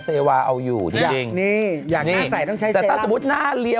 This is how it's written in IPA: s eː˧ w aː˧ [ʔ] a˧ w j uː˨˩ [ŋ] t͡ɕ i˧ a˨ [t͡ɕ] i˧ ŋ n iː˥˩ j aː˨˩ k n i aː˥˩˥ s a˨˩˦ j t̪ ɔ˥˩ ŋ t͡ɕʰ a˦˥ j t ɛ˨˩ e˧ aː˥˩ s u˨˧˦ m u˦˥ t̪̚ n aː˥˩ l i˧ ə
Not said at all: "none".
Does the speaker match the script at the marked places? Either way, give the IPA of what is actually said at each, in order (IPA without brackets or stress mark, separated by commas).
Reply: ʔ, none, t͡ɕ